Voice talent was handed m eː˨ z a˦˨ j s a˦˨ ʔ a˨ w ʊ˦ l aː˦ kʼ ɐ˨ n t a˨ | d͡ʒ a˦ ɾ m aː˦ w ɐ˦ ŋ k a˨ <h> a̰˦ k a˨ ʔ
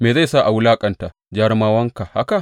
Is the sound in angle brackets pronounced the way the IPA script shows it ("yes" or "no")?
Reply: yes